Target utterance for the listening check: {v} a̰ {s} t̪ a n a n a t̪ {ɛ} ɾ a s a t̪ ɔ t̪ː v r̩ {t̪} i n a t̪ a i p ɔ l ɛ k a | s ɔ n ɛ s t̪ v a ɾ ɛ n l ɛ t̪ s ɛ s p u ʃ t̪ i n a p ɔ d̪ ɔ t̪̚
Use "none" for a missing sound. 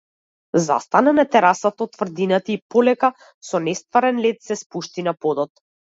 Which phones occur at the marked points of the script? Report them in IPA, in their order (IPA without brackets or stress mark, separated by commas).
z, s, ɛ, d̪